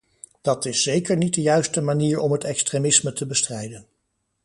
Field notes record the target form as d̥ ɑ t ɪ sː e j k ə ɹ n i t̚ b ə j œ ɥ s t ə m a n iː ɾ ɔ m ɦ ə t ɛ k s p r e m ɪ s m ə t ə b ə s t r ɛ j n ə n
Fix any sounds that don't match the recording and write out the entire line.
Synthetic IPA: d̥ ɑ t ɪ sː e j k ə ɹ n i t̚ d ə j œ ɥ s t ə m a n iː ɹ ɔ m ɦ ə t ɛ k s t r e m ɪ s m ə t ə b ə s t r ɛ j d ə n